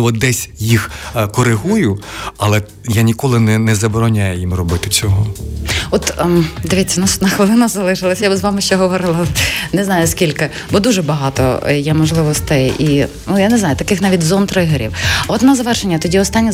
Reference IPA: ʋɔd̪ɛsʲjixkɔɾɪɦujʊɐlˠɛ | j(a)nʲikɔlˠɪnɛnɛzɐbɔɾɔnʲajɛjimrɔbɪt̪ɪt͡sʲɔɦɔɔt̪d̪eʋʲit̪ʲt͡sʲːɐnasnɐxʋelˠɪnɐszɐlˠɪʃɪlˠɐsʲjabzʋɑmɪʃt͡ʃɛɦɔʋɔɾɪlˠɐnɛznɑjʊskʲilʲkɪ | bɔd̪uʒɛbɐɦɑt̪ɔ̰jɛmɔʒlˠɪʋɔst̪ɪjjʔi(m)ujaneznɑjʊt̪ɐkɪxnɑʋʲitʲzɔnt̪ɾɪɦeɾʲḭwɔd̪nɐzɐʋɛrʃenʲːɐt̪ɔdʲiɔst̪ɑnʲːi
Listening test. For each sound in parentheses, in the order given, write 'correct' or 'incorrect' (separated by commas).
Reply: correct, incorrect